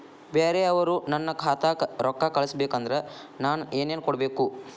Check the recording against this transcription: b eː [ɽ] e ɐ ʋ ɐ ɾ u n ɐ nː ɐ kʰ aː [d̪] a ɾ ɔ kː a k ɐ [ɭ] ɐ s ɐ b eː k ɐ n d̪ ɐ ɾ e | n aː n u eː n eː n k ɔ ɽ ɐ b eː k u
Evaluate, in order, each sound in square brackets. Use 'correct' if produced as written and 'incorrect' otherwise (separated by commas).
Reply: incorrect, incorrect, correct